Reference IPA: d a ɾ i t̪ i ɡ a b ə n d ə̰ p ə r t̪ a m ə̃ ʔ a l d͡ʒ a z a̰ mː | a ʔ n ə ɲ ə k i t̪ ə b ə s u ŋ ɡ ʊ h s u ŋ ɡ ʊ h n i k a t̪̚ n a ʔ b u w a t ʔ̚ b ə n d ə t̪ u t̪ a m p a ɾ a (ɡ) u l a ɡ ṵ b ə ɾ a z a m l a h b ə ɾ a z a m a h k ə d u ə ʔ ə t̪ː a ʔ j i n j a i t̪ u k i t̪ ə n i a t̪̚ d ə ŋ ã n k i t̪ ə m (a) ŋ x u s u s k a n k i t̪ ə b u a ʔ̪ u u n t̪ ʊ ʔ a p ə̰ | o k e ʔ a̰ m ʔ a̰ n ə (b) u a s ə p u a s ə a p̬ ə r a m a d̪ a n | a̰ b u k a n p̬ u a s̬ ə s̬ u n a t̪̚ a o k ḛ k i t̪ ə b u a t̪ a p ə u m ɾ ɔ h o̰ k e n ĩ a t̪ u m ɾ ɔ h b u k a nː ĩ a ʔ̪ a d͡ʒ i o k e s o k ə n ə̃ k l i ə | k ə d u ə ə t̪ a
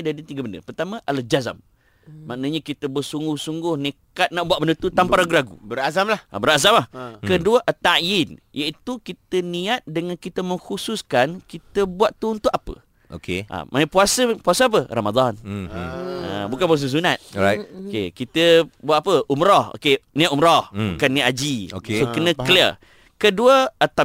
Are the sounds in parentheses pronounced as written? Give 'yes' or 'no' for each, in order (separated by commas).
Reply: yes, no, no